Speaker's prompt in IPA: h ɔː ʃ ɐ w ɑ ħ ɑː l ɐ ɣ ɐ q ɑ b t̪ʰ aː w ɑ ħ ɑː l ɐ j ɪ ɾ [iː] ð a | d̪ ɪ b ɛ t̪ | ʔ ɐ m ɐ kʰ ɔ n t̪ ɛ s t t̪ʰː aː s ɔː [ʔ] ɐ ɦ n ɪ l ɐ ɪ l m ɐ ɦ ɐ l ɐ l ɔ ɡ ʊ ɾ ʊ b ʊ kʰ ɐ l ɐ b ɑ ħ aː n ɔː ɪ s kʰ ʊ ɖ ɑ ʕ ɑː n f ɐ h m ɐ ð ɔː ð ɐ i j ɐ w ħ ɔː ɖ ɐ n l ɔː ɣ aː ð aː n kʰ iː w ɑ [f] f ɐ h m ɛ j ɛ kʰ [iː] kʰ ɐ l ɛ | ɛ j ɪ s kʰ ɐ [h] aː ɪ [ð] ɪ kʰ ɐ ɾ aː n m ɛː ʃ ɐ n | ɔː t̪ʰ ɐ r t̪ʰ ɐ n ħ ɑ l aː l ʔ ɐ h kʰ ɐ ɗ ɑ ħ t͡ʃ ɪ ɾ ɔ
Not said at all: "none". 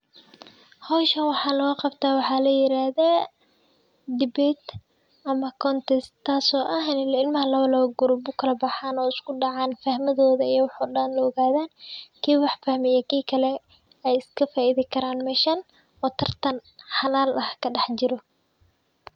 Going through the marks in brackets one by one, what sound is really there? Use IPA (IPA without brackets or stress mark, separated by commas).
aː, ʔ, ħ, iː, f, ð